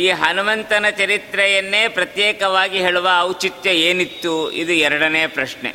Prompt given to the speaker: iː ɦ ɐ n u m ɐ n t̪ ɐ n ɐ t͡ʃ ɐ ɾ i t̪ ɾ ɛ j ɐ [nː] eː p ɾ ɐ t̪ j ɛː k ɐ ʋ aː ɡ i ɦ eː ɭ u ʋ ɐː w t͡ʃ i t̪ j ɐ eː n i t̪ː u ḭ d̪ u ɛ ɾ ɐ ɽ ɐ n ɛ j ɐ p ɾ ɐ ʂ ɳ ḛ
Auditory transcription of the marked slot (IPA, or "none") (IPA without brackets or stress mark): nː